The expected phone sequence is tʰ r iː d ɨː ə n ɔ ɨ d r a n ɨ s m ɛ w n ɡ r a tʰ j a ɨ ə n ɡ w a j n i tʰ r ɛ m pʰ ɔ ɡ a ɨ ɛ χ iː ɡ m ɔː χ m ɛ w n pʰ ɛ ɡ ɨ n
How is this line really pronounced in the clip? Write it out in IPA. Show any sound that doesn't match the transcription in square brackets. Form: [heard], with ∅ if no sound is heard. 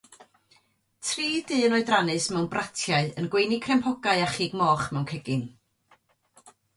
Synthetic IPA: tʰ r iː d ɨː ə n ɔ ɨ d r a n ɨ s m ɛ w n [b] r a tʰ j a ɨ ə n ɡ w [e] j n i [kʰ] r ɛ m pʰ ɔ ɡ a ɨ [a] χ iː ɡ m ɔː χ m ɛ w n [kʰ] ɛ ɡ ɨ n